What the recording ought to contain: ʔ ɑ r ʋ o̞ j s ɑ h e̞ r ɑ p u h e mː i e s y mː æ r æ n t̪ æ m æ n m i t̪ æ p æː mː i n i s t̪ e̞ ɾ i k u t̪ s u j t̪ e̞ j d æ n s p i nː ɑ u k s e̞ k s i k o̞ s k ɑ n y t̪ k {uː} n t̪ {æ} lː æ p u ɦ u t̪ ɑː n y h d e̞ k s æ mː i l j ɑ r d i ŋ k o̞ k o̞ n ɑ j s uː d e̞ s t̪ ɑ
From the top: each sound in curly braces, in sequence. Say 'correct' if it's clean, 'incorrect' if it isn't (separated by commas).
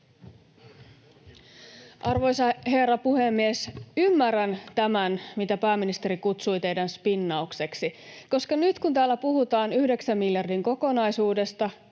incorrect, incorrect